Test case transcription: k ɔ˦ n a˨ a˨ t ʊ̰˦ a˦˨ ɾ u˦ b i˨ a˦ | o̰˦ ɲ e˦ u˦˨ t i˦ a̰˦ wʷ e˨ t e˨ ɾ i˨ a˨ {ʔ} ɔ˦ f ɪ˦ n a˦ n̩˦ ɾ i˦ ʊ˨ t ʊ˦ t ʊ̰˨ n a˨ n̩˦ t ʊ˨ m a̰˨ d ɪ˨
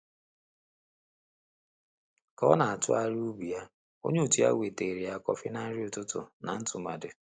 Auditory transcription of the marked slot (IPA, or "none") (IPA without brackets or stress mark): k